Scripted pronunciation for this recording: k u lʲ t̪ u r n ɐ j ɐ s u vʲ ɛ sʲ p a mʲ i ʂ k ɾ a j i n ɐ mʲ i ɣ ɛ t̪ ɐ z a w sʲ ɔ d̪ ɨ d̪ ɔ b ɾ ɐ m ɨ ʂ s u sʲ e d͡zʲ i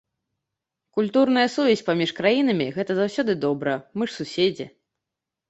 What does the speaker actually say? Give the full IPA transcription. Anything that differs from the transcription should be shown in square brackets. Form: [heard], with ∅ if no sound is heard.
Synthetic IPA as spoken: k u lʲ t̪ u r n ɐ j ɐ s u vʲ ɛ sʲ p a mʲ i ʂ k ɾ a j i n ɐ mʲ i ɣ ɛ t̪ ɐ z a w sʲ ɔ d̪ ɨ d̪ ɔ b ɾ ɐ m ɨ ʂ s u sʲ e d͡zʲ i